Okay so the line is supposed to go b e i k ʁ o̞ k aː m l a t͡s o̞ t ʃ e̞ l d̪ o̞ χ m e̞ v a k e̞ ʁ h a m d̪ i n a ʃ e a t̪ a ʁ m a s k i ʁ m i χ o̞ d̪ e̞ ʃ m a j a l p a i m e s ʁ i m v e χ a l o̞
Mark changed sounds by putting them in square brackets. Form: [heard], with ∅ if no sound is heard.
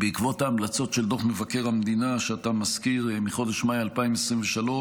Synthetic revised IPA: b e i k [v] o̞ [t] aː m l a t͡s o̞ t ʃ e̞ l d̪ o̞ χ m e̞ v a k e̞ ʁ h a m d̪ i n a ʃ e a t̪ a [∅] m a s k i ʁ m i χ o̞ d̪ e̞ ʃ m a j a l p a i m e s ʁ i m v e [ʃ] a l o̞